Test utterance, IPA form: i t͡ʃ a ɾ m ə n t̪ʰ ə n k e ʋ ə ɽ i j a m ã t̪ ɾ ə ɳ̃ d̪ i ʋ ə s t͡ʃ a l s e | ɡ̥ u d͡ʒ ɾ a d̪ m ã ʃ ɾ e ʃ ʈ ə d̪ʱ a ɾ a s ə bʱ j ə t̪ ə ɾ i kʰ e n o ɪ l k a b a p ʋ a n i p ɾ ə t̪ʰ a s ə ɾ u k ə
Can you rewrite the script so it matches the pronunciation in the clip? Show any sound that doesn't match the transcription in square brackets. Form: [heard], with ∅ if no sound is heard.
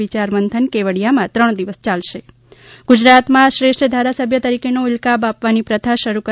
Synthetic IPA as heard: i t͡ʃ a ɾ m ə n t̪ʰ ə n k e ʋ ə ɽ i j a m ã t̪ ɾ ə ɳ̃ d̪ i ʋ ə s t͡ʃ a l [ʃ] e | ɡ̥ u d͡ʒ ɾ a [t̪] m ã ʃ ɾ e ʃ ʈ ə d̪ʱ a ɾ a s ə bʱ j ə t̪ ə ɾ i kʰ e n o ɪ l k a b a p ʋ a n i p ɾ ə t̪ʰ a [ʃ] ə ɾ u k ə